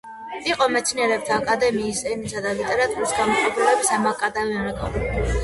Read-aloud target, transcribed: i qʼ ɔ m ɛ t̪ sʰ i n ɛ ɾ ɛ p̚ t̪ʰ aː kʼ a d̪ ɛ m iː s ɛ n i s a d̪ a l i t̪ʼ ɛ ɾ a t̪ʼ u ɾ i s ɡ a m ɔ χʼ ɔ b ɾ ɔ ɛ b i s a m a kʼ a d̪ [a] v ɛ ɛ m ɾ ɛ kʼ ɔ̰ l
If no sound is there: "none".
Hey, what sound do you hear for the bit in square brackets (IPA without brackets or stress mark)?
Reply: a